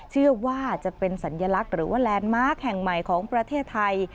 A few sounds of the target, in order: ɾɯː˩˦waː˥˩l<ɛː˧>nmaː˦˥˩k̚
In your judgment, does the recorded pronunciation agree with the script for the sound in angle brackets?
yes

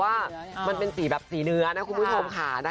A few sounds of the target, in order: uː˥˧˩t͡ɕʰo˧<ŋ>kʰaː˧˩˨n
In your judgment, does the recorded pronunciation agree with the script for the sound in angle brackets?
no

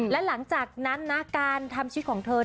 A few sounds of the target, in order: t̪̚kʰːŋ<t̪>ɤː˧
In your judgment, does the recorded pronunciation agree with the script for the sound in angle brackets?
no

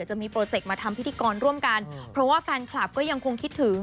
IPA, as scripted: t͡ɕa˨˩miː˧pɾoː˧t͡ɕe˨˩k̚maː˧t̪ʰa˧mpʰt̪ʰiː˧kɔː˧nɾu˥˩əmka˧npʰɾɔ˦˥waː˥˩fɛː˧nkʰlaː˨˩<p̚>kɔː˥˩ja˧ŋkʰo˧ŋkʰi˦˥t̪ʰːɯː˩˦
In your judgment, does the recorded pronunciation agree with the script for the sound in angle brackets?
yes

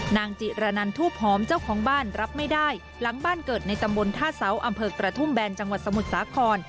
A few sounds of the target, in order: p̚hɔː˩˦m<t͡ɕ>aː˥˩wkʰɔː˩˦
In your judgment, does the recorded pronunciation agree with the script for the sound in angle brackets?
yes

